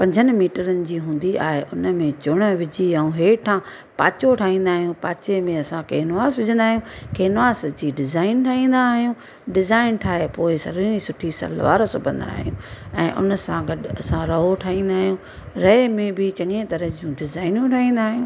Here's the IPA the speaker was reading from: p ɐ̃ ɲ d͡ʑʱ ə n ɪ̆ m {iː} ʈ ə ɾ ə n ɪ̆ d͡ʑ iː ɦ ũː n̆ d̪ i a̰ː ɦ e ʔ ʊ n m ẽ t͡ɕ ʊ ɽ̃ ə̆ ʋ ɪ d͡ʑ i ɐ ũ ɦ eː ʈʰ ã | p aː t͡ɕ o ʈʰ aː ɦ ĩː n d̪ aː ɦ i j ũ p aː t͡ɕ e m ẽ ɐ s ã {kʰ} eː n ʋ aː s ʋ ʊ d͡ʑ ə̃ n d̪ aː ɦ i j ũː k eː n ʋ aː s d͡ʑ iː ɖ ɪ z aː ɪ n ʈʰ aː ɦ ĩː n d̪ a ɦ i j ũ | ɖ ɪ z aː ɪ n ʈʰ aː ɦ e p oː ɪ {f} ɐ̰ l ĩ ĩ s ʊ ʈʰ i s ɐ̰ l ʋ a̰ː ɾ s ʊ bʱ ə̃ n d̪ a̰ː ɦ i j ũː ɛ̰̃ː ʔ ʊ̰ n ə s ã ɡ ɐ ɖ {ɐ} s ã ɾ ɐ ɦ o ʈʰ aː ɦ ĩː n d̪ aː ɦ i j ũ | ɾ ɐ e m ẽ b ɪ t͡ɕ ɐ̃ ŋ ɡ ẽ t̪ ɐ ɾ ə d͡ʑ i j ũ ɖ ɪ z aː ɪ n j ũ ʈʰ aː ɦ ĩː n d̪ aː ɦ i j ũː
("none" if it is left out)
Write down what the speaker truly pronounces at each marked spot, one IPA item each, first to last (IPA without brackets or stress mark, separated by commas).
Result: iː, k, s, ɐ